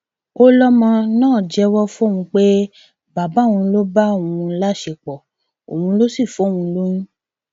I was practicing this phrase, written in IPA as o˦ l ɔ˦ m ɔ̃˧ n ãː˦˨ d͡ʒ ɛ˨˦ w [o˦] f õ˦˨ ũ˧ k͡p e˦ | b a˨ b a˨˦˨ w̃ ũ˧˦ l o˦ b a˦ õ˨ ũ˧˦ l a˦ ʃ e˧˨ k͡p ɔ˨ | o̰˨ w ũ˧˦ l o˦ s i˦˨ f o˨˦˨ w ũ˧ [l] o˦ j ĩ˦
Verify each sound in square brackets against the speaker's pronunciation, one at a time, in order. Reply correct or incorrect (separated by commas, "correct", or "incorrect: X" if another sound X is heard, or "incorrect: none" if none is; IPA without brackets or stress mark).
incorrect: ɔ˦, correct